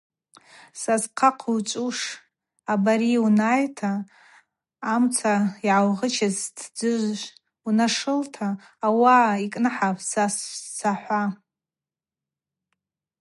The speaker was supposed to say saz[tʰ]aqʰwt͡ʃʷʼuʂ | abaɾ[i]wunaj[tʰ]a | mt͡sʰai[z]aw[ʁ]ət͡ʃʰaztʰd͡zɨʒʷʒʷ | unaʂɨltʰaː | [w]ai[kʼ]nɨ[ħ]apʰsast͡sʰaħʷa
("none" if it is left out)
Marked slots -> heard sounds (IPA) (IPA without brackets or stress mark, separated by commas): qʰ, i, tʰ, ʕ, ʁ, w, kʼ, ħ